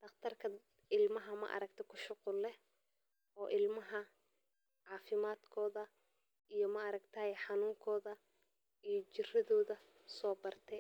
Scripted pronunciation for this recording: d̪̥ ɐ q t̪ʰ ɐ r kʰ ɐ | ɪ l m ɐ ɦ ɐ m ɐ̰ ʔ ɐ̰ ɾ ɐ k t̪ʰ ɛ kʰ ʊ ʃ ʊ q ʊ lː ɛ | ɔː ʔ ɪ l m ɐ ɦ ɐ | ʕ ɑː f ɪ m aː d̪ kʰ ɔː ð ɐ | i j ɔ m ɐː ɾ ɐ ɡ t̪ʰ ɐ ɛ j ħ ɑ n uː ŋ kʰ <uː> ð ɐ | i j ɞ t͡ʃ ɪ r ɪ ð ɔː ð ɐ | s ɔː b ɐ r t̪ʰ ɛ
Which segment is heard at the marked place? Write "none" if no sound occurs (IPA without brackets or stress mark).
ɔː